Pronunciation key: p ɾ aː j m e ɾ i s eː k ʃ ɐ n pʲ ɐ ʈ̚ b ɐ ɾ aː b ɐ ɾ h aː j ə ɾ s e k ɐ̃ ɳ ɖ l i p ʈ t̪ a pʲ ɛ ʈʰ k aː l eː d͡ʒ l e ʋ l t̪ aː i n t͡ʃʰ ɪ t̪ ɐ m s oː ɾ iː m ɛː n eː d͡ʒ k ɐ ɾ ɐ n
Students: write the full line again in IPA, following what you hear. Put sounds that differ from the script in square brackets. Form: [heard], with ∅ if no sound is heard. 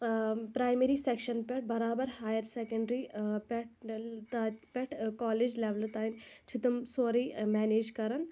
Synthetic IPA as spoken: p ɾ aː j m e ɾ i s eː k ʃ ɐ n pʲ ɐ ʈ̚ b ɐ ɾ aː b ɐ ɾ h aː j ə ɾ s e k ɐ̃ ɳ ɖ [ɾ] i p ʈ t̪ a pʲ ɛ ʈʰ k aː l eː d͡ʒ l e ʋ l t̪ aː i n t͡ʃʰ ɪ t̪ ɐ m s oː ɾ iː m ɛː n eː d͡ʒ k ɐ ɾ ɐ n